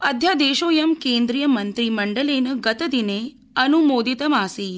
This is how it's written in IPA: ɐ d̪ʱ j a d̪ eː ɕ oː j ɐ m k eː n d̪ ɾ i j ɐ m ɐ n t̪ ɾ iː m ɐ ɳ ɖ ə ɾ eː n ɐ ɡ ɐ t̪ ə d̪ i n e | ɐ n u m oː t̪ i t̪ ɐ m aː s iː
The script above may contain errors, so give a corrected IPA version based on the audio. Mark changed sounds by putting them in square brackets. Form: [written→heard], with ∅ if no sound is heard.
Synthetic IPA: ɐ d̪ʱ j a d̪ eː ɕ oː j ɐ m k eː n d̪ ɾ i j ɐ m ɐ n t̪ ɾ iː m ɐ ɳ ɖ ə [ɾ→l] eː n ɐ ɡ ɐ t̪ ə d̪ i n e | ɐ n u m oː [t̪→d̪] i t̪ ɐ m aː s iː

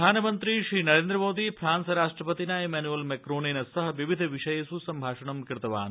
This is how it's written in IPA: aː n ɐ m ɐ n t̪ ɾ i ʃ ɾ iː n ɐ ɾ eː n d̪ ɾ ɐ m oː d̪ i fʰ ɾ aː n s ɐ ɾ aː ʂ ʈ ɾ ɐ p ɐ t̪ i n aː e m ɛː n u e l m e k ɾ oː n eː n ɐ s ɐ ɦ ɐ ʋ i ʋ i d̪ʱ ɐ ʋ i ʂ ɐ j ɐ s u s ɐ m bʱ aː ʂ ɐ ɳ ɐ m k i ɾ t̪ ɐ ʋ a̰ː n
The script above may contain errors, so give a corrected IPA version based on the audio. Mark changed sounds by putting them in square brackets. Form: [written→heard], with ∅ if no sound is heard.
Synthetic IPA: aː n ɐ m ɐ n t̪ ɾ i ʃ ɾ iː n ɐ ɾ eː n d̪ ɾ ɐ m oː d̪ i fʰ ɾ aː n s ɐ ɾ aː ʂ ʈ ɾ ɐ p ɐ t̪ i n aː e m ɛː n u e l m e k ɾ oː n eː n ɐ s ɐ ɦ ɐ ʋ i ʋ i d̪ʱ ɐ ʋ i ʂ ɐ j ɐ s u s ɐ m bʱ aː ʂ ɐ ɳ ɐ m k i ɾ t̪ ɐ ʋ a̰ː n

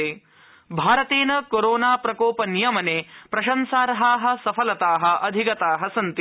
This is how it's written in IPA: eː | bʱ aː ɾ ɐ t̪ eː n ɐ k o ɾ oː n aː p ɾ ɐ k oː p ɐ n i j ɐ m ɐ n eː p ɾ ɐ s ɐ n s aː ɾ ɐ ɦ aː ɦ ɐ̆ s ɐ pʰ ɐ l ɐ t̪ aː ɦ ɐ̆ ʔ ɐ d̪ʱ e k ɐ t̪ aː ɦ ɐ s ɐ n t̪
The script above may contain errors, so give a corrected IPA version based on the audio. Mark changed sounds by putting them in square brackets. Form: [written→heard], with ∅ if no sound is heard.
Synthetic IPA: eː | bʱ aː ɾ ɐ t̪ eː n ɐ k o ɾ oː n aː p ɾ ɐ k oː p ɐ n i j ɐ m ɐ n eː p ɾ ɐ [s→ʃ] ɐ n s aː ɾ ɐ ɦ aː ɦ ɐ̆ s ɐ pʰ ɐ l ɐ t̪ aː ɦ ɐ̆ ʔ ɐ d̪ʱ [e→i] k ɐ t̪ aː ɦ ɐ s ɐ n t̪

